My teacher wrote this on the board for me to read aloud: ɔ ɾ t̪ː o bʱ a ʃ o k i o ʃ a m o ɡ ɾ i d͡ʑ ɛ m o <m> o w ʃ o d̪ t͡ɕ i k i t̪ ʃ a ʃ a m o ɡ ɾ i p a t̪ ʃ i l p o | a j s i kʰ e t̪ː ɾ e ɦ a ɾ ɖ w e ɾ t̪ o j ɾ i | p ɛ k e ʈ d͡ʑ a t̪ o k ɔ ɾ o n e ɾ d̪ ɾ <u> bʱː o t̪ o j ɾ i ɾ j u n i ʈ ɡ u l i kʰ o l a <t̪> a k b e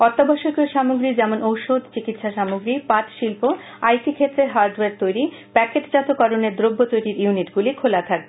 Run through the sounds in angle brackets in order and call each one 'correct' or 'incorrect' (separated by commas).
incorrect, incorrect, incorrect